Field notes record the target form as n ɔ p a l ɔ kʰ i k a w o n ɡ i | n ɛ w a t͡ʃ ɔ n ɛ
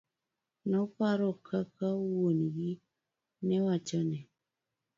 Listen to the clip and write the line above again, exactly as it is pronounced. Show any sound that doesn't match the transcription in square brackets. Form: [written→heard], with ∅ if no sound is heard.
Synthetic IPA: n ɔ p a [l→ɾ] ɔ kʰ [i→a] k a w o n ɡ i | n ɛ w a t͡ʃ ɔ n ɛ